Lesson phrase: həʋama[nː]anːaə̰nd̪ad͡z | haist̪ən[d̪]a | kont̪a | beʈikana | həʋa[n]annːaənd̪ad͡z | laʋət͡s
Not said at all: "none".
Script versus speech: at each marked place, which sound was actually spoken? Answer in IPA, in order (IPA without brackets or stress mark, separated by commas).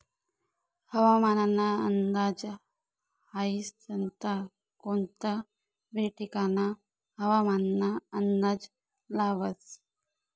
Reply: n, t̪, m